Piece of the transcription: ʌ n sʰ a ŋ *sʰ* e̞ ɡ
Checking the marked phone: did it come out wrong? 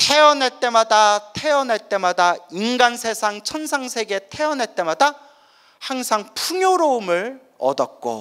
no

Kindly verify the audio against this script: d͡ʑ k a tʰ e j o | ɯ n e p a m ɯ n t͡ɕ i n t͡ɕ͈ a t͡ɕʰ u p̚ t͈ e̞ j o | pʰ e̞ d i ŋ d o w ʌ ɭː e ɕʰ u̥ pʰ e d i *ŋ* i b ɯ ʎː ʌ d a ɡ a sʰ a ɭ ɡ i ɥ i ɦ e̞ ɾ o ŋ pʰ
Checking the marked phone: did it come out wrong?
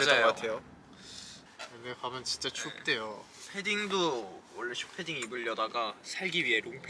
no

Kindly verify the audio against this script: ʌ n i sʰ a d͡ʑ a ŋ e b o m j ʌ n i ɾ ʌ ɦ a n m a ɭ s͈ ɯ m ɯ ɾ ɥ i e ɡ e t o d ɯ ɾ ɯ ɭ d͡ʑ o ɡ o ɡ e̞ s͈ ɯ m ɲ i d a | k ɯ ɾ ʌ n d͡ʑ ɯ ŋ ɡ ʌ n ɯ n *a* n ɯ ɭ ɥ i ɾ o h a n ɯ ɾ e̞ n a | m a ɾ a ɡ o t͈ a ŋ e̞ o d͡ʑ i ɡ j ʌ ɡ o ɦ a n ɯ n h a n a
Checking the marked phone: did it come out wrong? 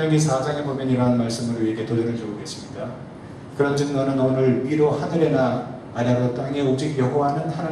yes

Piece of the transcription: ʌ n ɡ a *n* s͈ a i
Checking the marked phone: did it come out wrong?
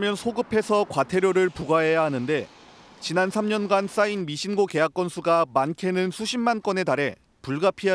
no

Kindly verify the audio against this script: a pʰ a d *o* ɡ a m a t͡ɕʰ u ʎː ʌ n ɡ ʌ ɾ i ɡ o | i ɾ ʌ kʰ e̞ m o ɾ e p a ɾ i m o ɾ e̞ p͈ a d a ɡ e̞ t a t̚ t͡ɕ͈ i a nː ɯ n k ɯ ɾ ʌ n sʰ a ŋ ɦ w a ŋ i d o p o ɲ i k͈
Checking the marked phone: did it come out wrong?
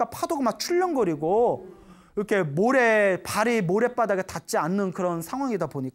no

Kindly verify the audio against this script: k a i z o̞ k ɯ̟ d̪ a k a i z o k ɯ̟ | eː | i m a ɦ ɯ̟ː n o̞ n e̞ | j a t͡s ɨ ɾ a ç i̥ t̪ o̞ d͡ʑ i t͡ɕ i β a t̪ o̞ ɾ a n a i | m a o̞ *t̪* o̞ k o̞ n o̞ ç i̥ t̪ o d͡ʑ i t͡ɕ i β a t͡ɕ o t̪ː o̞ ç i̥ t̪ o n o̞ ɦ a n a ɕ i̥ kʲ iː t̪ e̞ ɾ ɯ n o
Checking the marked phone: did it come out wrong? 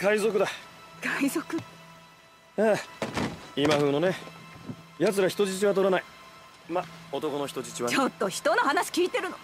no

